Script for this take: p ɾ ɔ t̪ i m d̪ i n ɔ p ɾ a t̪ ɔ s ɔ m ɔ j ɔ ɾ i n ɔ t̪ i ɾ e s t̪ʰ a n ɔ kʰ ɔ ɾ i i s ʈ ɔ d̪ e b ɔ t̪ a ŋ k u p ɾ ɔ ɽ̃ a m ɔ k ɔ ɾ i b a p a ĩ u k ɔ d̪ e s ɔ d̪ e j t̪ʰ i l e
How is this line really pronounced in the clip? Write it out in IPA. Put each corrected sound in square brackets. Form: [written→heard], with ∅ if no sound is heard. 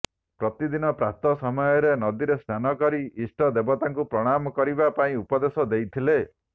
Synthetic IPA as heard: p ɾ ɔ t̪ i [m→∅] d̪ i n ɔ p ɾ a t̪ ɔ s ɔ m ɔ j ɔ ɾ [i→e] n ɔ [t̪→d̪] i ɾ e s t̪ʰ a n ɔ [kʰ→k] ɔ ɾ i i s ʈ ɔ d̪ e b ɔ t̪ a ŋ k u p ɾ ɔ ɽ̃ a m ɔ k ɔ ɾ i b a p a ĩ u [k→p] ɔ d̪ e s ɔ d̪ e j t̪ʰ i l e